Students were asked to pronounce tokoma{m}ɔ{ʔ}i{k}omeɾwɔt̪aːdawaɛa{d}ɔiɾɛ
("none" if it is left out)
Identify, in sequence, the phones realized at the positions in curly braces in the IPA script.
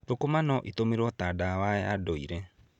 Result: n, ʔ, t, d

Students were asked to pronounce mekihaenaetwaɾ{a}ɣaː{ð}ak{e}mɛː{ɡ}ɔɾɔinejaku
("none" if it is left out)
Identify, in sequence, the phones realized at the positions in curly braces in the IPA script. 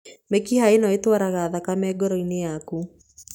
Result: a, ð, a, ɡ

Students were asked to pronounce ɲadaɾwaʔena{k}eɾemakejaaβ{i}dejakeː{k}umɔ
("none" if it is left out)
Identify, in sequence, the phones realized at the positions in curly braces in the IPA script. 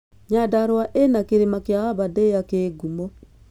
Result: k, a, ɡ

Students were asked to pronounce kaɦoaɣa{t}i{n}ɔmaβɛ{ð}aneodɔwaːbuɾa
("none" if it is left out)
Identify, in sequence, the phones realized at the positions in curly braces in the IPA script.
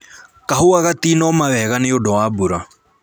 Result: t, n, ɣ

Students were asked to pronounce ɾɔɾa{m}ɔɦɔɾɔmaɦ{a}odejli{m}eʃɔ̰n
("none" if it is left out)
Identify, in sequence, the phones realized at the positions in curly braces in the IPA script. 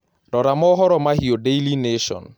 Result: m, i, n

